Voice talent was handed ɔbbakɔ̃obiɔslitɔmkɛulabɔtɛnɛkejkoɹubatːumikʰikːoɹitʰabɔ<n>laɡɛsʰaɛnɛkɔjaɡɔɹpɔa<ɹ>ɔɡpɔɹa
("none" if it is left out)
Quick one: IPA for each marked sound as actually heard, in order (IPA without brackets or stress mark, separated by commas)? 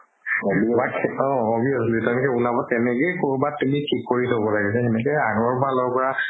none, l